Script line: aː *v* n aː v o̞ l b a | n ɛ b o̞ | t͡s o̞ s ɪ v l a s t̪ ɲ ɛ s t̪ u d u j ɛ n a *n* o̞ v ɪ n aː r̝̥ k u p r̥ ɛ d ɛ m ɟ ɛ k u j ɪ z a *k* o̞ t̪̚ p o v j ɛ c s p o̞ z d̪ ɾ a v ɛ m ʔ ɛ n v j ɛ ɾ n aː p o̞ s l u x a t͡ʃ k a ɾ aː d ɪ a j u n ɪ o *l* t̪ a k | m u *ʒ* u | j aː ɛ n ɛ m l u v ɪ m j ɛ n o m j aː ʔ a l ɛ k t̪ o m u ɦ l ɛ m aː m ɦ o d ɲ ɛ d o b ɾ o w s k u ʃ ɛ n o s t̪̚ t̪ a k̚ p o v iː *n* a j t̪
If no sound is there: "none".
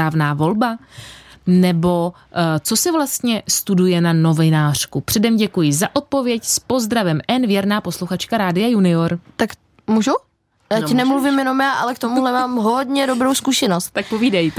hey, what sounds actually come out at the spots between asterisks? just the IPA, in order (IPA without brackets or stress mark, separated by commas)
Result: v, n, ʔ, ɾ, ʒ, d